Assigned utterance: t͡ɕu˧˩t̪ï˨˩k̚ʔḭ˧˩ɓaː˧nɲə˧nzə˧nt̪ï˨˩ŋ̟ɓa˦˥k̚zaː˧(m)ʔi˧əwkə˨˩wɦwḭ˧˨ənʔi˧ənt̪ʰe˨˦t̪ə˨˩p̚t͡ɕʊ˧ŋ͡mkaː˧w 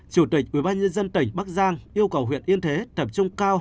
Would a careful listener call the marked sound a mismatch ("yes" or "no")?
yes